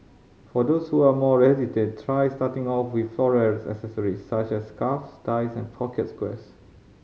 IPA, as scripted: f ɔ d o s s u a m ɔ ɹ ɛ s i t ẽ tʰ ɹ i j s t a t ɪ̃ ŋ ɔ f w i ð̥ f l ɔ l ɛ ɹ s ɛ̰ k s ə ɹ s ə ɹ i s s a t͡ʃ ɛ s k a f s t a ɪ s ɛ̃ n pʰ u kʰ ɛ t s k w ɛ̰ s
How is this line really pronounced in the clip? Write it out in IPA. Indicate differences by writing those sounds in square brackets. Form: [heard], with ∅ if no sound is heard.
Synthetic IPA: f ɔ d o s [h] u a m ɔ ɹ ɛ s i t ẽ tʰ ɹ [a] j s t a t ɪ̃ ŋ ɔ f w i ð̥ f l ɔ [ɹ] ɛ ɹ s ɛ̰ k s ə [∅] s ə ɹ i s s a t͡ʃ ɛ s k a f s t a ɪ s ɛ̃ n pʰ [ɔ] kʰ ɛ t s k w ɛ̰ s